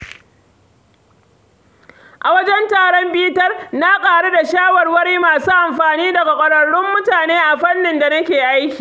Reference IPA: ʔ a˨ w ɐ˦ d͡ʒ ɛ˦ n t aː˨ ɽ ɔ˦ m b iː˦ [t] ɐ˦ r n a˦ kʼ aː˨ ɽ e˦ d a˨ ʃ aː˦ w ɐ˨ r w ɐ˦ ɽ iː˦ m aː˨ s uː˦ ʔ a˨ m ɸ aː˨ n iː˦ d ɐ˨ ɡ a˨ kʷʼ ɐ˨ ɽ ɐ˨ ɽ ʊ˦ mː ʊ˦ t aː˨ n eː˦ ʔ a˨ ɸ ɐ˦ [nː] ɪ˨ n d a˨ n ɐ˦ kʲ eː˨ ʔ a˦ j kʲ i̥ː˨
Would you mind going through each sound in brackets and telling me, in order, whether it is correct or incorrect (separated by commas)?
correct, correct